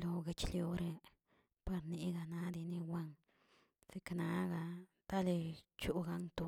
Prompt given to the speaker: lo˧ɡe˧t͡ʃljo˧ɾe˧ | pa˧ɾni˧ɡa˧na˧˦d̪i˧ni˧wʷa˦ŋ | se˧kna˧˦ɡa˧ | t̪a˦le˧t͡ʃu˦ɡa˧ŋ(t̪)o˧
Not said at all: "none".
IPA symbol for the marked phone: t̪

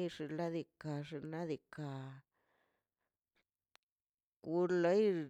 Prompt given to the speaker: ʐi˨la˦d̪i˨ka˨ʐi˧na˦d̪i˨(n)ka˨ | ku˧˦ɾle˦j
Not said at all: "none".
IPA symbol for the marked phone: none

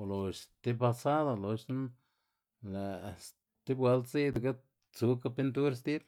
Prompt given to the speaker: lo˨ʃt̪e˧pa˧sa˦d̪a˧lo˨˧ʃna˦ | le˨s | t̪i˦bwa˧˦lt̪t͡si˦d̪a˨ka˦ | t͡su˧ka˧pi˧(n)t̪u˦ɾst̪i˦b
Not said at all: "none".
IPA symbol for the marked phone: n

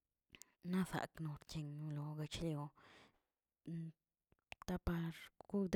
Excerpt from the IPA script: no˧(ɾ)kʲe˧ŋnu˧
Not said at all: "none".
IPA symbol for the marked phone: ɾ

